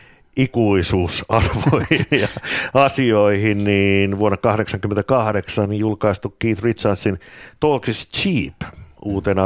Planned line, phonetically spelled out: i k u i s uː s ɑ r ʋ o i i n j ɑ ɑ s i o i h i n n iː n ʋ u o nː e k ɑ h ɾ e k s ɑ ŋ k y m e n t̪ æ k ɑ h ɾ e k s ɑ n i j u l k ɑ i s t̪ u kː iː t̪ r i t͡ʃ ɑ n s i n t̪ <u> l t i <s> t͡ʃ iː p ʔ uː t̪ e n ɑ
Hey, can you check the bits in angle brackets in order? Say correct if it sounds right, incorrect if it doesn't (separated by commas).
incorrect, correct